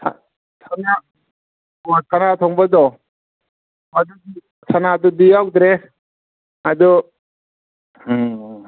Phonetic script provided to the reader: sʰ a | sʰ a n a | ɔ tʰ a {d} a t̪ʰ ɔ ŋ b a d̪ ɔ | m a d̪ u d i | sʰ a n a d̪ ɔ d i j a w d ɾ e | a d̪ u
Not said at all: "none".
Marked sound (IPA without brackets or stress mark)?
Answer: n